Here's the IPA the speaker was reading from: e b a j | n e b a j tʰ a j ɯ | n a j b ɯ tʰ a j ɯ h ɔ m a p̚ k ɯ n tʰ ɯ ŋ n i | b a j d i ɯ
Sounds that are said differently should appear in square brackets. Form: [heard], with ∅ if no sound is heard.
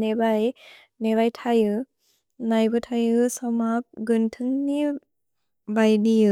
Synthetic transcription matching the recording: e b a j | n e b a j tʰ a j ɯ | n a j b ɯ tʰ a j ɯ [s] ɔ m a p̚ [ɡ] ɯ n tʰ ɯ ŋ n i | b a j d i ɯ